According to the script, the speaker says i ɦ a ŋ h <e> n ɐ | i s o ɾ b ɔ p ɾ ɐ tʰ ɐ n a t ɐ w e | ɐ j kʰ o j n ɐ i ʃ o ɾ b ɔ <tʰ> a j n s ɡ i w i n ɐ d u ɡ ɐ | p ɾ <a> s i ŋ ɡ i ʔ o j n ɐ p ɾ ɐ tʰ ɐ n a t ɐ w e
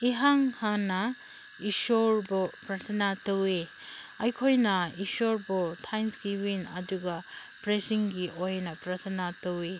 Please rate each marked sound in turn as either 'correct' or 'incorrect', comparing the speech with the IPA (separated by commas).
incorrect, correct, incorrect